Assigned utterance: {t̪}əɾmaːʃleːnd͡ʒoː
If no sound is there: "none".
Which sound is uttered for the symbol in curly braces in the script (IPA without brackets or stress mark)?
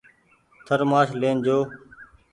t̪ʰ